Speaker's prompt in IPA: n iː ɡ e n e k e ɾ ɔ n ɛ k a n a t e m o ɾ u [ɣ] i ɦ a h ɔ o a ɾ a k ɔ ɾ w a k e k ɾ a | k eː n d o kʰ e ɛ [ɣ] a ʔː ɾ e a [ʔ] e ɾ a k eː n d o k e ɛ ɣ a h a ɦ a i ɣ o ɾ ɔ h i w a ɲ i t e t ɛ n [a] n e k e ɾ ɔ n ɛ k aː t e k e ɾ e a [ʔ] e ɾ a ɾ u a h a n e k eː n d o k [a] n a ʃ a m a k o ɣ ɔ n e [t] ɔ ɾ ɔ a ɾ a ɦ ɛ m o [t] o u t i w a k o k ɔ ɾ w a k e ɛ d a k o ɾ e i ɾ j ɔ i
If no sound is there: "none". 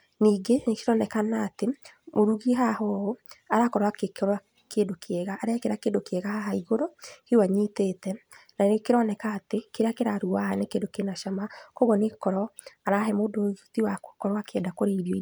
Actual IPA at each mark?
ɣ, ɣ, k, a, k, e, k, d

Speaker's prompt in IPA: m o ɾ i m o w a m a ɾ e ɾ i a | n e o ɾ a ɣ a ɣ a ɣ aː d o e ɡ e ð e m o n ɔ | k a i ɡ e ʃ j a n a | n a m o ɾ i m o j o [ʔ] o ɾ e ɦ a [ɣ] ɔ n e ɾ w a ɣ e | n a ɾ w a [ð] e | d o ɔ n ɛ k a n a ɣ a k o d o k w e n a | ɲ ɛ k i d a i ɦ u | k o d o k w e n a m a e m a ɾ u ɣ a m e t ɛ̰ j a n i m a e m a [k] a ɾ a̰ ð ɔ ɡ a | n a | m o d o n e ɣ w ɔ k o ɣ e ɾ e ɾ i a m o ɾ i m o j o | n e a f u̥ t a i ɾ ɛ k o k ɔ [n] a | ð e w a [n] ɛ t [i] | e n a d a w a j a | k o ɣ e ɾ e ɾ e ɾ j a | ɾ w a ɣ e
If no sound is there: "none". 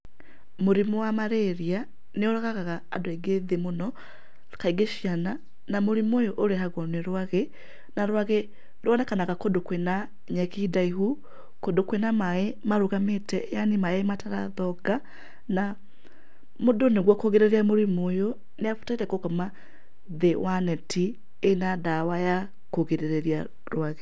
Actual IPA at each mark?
ʔ, ɣ, ɣ, t, m, n, i

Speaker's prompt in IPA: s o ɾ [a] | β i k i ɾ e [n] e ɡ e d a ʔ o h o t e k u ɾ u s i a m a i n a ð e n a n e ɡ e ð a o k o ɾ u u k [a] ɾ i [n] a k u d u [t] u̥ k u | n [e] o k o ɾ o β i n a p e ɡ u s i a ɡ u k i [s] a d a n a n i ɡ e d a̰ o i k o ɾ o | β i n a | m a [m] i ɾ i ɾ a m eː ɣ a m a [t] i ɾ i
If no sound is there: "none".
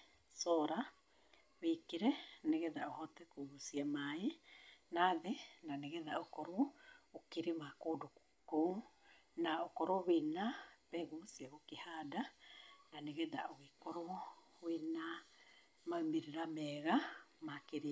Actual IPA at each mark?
a, n, i, m, k, a, h, m, k

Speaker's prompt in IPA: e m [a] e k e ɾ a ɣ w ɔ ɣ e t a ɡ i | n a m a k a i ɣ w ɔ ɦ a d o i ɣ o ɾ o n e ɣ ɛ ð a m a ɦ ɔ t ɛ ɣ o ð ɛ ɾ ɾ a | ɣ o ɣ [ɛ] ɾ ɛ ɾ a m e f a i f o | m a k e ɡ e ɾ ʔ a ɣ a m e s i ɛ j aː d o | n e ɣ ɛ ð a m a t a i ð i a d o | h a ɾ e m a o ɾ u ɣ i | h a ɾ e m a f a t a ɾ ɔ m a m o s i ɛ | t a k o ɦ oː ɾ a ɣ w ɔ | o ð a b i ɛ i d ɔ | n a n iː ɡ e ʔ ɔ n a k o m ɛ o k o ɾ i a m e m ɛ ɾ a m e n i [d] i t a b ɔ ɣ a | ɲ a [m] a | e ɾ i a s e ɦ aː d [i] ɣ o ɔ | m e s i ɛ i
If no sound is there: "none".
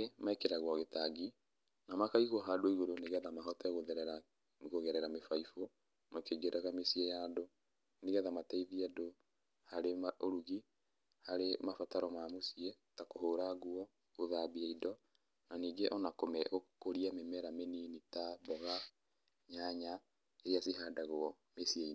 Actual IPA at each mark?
a, ɛ, n, ɲ, a

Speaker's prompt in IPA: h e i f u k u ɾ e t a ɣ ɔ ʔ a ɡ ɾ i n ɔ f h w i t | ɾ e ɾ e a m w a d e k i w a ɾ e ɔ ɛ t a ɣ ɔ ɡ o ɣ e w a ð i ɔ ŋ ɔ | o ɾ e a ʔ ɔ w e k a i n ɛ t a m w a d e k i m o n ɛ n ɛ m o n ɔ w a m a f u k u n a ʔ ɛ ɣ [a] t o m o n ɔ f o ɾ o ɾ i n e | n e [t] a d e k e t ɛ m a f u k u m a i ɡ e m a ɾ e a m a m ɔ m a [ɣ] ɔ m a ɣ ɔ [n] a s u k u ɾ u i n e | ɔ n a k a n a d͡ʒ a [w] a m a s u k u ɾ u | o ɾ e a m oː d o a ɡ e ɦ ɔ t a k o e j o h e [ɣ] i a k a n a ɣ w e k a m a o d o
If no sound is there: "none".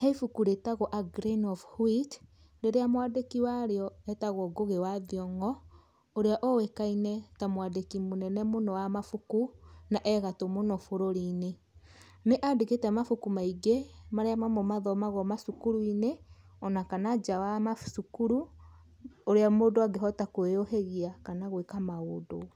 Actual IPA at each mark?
a, ʔ, ð, m, w, ɣ

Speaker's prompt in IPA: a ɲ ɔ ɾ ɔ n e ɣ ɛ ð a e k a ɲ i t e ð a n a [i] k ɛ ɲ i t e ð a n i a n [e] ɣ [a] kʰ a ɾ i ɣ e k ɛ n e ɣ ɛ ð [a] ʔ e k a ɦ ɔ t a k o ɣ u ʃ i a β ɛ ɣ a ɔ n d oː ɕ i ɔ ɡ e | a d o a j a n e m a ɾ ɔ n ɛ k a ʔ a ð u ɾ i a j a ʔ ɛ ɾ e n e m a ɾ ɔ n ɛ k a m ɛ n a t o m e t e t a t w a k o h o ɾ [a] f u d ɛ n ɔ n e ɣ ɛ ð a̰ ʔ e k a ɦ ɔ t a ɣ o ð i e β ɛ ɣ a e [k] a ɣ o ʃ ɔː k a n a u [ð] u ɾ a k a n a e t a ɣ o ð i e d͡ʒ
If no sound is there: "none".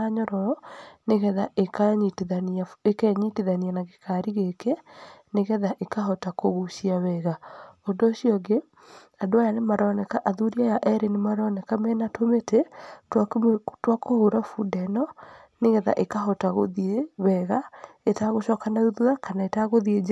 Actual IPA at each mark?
e, a, e, a, a, t, ð

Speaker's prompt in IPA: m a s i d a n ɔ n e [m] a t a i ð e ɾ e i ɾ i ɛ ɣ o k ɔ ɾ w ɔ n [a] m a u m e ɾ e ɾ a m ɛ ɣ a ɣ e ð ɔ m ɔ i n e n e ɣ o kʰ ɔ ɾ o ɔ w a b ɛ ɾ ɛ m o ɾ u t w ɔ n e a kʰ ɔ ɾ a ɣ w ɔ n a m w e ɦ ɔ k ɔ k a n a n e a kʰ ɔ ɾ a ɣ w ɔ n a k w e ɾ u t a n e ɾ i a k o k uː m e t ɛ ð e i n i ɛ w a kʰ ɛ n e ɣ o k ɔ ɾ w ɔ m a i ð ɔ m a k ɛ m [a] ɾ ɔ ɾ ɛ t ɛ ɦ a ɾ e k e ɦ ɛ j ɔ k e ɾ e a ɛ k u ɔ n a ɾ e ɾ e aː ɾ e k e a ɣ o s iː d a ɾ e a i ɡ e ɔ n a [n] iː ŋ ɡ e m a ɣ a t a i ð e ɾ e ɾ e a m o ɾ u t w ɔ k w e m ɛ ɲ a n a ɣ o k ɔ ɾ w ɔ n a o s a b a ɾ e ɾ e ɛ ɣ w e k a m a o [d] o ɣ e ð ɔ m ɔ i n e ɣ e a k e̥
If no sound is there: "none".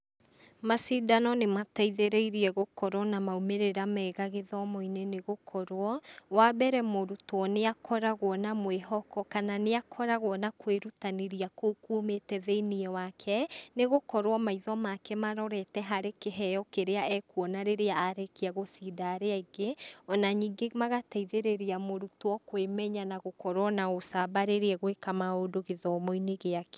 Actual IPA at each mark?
m, a, a, ɲ, d

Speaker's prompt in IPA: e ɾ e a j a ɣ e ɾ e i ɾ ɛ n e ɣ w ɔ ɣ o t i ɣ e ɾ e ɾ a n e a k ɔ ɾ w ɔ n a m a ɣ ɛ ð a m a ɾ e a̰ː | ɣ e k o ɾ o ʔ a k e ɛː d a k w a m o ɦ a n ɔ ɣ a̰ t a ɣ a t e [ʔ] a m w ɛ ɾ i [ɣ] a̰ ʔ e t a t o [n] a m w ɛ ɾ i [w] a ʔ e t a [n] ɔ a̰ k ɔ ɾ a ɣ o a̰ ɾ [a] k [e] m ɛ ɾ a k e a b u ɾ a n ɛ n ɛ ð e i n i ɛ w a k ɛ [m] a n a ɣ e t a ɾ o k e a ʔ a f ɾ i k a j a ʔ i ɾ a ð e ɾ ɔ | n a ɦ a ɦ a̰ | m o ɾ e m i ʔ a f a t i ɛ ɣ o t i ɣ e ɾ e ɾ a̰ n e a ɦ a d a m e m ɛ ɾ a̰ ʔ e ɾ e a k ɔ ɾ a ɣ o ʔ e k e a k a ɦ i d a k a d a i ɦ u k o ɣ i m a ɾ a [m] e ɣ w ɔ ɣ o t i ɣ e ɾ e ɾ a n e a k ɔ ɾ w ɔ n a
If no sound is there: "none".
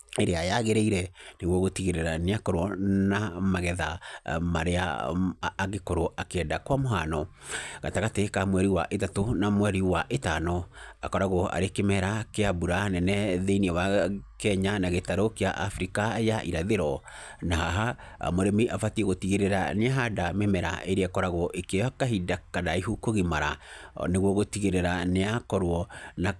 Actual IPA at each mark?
k, w, n, w, n, e, e, ɲ, n

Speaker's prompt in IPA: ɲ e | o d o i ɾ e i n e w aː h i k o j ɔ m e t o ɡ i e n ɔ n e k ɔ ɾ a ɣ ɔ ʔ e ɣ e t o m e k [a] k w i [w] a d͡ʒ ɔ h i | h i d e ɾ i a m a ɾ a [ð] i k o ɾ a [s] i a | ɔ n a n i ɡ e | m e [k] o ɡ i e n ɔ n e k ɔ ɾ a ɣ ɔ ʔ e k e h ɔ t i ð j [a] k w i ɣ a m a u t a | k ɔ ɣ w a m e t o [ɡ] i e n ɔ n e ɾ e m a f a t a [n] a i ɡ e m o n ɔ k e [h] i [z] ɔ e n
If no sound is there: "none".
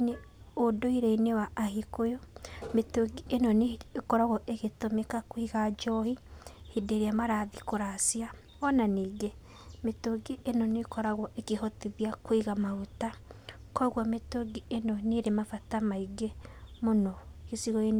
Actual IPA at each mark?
a, ɣ, ð, s, t, a, ɡ, m, s, ɣ

